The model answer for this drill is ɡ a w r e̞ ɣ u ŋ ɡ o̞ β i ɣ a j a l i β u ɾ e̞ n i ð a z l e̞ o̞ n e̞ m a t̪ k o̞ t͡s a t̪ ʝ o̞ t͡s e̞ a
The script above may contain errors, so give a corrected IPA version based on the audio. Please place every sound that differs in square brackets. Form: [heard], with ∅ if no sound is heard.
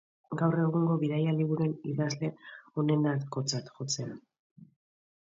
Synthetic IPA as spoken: ɡ a w r e̞ ɣ u ŋ ɡ o̞ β i [ð] a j a l i β u ɾ e̞ n i ð a z l e̞ o̞ n e̞ [n] a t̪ k o̞ t͡s a t̪ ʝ o̞ t͡s e̞ a